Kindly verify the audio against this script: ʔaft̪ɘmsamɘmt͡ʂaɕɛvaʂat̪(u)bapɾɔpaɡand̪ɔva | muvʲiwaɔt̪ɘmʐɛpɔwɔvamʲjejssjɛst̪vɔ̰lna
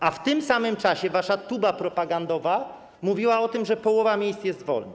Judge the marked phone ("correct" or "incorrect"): correct